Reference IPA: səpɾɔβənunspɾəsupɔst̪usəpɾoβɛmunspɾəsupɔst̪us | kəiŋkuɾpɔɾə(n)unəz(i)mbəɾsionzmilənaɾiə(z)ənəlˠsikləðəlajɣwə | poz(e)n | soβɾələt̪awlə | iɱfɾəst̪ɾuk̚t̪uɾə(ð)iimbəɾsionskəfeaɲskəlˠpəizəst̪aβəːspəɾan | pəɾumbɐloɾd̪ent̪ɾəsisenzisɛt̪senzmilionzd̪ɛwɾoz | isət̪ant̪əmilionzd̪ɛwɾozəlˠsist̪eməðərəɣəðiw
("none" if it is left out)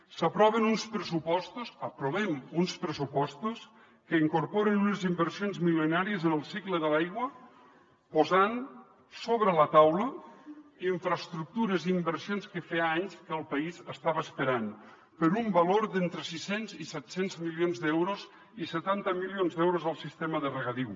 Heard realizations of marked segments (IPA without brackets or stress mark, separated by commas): n, i, z, a, z